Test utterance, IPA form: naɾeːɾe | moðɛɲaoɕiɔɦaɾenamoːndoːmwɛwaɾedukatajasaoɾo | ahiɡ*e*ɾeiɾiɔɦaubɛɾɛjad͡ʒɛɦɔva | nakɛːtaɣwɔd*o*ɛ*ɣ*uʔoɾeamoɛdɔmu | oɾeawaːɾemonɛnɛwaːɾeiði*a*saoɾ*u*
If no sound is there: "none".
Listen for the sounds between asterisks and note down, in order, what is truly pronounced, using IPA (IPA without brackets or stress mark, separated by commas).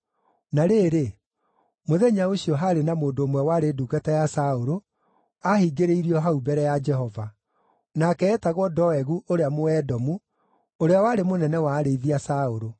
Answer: e, ɔ, ɣ, a, o